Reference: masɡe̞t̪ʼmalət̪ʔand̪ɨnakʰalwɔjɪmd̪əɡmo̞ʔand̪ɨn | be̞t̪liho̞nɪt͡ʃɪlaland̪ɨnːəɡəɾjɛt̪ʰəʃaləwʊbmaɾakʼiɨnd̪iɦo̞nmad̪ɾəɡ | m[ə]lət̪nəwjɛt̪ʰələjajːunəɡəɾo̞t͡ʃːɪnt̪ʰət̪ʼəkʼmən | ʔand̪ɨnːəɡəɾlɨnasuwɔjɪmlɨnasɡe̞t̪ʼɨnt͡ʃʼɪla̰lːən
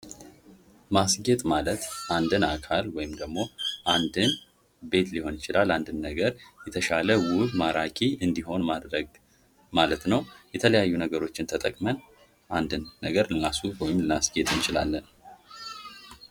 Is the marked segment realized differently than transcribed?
yes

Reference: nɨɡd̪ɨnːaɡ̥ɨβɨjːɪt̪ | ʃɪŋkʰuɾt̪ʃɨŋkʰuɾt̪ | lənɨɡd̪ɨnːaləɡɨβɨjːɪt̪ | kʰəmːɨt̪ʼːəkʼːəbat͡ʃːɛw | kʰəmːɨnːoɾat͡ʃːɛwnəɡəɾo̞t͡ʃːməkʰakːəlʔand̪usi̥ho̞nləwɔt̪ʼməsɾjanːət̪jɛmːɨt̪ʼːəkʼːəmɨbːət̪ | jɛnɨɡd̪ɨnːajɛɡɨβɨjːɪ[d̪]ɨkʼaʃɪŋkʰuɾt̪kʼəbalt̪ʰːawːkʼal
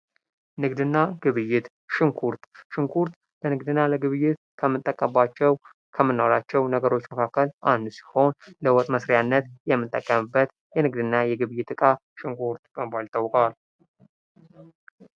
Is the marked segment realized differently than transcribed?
yes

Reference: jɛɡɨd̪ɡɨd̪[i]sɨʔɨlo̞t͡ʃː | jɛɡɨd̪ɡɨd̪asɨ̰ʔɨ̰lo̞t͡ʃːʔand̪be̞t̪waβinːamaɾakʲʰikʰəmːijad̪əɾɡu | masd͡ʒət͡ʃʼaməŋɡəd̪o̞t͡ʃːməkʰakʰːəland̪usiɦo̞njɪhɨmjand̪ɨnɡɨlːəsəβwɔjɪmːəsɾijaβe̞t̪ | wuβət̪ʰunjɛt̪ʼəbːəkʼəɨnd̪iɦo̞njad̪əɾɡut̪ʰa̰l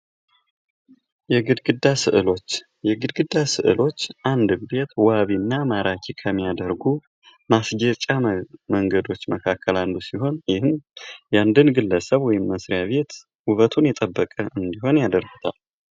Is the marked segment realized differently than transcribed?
yes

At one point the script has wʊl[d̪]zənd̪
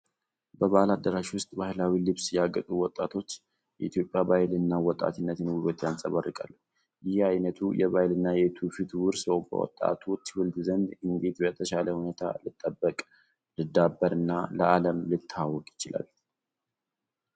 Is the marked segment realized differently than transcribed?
no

